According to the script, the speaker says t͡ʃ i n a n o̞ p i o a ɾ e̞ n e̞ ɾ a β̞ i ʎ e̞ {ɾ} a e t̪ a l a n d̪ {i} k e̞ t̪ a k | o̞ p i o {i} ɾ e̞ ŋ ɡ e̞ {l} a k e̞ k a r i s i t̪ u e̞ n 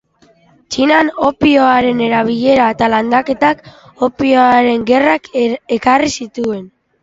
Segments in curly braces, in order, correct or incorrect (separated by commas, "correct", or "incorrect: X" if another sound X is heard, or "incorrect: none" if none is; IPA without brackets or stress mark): correct, incorrect: a, incorrect: a, incorrect: r